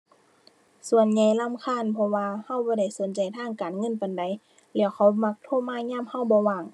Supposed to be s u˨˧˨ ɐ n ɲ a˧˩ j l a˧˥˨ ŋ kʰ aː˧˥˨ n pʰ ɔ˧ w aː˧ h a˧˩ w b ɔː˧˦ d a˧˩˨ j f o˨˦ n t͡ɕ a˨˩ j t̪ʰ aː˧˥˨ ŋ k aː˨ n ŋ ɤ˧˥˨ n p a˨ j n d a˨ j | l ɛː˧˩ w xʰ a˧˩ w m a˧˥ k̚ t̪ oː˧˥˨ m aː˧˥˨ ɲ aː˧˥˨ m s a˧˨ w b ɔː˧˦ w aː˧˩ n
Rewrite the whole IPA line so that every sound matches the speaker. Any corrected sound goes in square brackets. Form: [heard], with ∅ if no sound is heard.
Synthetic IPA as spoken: s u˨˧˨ [ə] n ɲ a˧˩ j l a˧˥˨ [m] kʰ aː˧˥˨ n pʰ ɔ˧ w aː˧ h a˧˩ w b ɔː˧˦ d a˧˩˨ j [s] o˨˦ n t͡ɕ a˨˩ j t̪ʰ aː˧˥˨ ŋ k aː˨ n ŋ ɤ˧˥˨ n p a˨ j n d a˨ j | l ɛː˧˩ w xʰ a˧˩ w m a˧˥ k̚ [t̪ʰ] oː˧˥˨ m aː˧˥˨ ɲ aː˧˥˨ m [h] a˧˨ w b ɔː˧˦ w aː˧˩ [ŋ]

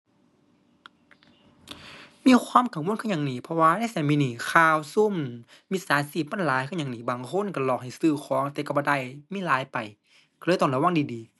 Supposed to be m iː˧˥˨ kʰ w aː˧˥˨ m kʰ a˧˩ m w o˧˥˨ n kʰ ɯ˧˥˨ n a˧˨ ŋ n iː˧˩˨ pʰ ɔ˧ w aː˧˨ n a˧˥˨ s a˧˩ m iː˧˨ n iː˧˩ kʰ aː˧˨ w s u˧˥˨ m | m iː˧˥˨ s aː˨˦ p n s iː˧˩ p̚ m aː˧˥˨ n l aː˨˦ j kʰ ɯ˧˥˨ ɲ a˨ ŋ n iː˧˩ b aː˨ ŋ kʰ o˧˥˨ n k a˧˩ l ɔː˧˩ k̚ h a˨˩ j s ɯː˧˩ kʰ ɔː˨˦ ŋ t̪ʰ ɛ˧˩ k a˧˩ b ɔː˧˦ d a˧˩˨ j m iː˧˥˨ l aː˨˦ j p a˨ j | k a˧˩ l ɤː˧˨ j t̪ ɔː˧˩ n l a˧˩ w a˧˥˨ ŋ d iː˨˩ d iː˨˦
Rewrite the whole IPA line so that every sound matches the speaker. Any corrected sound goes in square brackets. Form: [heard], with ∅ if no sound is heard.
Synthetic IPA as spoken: m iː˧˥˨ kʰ w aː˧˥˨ m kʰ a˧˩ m w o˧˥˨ n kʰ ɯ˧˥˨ [ɲ] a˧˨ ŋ n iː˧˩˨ pʰ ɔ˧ w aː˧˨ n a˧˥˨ s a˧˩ m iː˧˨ n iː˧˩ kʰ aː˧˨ w s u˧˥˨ m | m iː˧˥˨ s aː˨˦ [∅] n s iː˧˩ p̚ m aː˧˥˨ n l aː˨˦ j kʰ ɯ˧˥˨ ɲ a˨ ŋ n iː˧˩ b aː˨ ŋ kʰ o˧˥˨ n k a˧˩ l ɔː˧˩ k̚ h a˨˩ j s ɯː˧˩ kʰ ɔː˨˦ ŋ [t̪] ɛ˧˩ k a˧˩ b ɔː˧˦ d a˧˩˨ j m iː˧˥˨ l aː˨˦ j p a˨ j | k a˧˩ l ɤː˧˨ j t̪ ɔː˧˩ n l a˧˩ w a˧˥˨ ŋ d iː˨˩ d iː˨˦

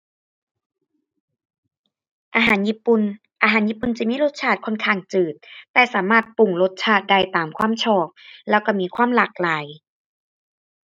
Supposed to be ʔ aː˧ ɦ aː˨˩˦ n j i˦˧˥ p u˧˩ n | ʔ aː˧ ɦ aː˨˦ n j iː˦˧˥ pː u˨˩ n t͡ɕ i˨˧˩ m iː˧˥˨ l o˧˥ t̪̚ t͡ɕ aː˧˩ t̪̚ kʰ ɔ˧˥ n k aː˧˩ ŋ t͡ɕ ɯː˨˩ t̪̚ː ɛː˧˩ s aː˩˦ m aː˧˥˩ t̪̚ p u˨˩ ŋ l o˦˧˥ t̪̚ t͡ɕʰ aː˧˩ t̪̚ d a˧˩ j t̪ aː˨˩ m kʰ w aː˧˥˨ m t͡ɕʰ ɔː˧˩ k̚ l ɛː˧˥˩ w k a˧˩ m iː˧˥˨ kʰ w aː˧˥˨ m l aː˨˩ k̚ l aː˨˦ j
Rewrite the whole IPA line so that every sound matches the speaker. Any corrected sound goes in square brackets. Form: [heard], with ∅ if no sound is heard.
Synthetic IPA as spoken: ʔ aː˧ ɦ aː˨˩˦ n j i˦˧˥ p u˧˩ n | ʔ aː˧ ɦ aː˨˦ n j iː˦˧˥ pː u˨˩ n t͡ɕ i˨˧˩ m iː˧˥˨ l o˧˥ t̪̚ [t͡ɕʰ] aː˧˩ t̪̚ kʰ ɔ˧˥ n [kʰ] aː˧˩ ŋ t͡ɕ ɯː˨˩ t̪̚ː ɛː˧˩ s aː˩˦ m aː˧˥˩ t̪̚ p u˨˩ ŋ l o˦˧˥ t̪̚ t͡ɕʰ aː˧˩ t̪̚ d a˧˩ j t̪ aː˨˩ m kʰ w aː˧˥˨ m t͡ɕʰ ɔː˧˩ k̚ l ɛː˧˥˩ w k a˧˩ m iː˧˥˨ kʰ w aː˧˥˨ m l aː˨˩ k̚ l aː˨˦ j

